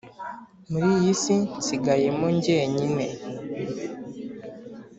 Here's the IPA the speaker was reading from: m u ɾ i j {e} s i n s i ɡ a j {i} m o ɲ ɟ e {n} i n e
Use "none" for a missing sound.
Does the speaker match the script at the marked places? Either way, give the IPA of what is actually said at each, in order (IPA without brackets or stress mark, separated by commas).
i, e, ɲ